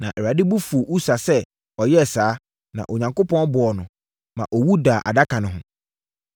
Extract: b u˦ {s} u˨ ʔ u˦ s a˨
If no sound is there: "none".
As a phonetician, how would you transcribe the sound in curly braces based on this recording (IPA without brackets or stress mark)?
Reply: f